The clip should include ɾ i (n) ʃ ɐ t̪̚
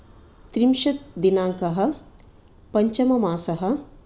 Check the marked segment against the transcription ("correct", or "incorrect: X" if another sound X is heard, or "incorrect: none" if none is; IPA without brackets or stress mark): incorrect: m